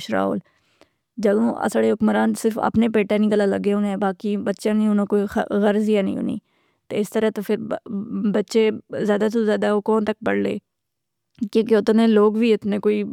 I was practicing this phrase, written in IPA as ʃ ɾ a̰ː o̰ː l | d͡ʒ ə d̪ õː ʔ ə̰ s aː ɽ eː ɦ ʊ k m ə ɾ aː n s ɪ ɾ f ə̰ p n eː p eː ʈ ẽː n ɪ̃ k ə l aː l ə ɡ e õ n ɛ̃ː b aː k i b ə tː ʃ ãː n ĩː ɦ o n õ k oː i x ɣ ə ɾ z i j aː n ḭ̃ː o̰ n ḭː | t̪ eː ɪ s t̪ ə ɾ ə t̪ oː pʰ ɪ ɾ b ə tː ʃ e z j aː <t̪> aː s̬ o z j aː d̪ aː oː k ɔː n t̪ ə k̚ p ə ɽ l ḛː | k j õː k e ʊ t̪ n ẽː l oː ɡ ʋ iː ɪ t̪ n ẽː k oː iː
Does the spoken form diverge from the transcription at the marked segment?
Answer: yes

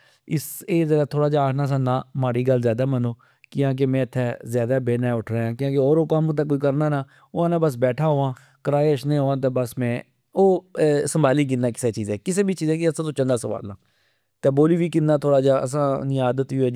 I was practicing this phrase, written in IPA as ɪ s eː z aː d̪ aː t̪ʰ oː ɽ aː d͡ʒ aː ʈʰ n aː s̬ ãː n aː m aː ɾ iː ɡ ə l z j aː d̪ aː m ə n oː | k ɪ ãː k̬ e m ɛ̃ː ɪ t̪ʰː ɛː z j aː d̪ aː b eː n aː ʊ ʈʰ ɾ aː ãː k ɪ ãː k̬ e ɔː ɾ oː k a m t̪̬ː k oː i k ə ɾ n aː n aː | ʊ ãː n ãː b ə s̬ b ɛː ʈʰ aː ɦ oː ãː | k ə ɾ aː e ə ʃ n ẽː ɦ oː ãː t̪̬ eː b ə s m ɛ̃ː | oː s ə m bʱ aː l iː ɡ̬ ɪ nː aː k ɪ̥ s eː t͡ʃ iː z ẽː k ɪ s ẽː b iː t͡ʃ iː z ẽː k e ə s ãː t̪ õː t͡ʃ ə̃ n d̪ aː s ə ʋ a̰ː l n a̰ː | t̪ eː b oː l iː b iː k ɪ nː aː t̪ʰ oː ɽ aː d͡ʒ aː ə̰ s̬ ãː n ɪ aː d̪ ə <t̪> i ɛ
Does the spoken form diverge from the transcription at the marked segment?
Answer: no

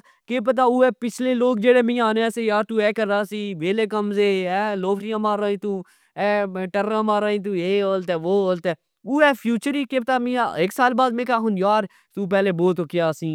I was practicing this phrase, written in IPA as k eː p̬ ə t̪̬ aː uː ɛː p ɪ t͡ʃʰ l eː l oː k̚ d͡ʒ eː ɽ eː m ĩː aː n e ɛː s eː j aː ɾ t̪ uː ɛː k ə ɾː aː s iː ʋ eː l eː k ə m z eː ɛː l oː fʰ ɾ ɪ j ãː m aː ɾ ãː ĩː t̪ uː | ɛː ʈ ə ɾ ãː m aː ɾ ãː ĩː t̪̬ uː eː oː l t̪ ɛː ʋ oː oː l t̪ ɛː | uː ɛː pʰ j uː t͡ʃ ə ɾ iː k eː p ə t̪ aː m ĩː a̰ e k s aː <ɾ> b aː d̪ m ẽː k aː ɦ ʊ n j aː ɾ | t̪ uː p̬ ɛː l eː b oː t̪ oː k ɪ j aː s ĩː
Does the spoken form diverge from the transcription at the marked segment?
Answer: yes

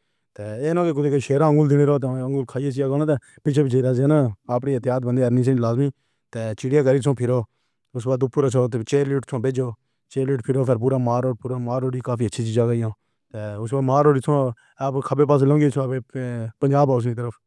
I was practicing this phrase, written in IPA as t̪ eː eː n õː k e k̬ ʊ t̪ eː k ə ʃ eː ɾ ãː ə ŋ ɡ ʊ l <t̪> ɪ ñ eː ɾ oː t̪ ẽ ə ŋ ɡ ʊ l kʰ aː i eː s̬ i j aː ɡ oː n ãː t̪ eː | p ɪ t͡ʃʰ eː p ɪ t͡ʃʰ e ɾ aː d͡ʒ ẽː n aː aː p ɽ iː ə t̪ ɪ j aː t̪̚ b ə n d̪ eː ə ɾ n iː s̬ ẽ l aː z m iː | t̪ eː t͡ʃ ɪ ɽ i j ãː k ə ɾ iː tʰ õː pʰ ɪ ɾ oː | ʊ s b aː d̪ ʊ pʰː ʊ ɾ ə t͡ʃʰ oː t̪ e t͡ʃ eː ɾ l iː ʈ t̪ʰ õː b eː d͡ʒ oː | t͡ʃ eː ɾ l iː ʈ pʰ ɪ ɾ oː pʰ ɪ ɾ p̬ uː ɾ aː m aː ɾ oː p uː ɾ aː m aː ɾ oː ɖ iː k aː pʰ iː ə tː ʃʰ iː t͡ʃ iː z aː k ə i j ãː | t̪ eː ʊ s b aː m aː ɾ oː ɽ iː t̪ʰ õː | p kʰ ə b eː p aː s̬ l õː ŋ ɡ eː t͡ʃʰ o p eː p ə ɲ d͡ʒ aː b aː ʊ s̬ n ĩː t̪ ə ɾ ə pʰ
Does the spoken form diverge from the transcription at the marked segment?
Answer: yes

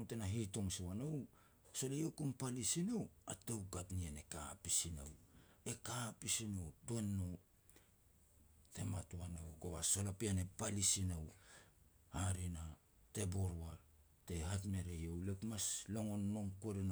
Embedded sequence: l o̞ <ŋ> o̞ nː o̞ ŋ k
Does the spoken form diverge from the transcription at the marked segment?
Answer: no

